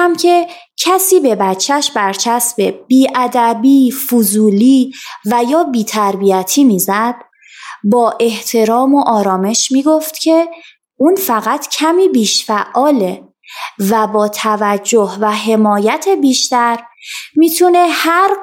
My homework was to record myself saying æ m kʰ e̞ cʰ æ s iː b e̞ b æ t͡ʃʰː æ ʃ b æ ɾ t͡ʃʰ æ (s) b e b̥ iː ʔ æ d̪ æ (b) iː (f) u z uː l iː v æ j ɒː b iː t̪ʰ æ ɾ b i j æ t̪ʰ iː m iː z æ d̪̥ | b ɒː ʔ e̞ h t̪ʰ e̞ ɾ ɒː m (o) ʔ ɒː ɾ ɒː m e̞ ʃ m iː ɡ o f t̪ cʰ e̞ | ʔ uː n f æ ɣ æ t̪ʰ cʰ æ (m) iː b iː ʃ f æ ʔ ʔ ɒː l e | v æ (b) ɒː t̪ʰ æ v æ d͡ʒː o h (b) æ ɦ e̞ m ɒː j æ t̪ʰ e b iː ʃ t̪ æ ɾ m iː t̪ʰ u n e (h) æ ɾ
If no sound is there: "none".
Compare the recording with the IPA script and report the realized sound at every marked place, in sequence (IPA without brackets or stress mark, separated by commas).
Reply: s, b, f, o, m, b, v, h